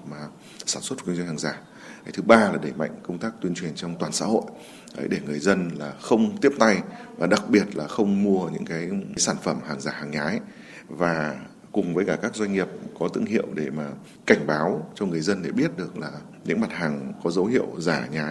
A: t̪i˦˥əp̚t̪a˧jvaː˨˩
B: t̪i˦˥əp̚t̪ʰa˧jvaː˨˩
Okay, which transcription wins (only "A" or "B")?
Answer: A